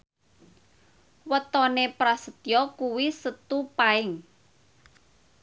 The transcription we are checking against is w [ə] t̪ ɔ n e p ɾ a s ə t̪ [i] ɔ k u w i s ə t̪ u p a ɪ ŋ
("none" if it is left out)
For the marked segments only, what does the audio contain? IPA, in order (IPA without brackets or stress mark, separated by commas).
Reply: ə, j